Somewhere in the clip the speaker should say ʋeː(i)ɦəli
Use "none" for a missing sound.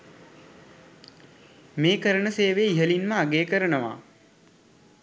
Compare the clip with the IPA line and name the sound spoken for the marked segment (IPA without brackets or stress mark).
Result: i